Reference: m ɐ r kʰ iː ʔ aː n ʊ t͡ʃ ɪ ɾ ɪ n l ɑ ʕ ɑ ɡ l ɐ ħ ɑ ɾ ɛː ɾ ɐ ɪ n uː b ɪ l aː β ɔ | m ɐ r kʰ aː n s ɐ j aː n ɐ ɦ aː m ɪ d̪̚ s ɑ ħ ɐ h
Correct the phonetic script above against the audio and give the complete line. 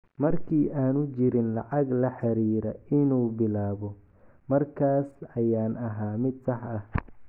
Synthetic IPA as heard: m ɐ r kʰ iː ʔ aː n ʊ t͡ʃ ɪ ɾ ɪ n l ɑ ʕ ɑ ɡ l ɐ ħ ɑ ɾ iː ɾ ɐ ɪ n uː b ɪ l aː β ɔ | m ɐ r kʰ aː s ɐ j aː n ɐ ɦ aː m ɪ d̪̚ s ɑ ħ ɐ h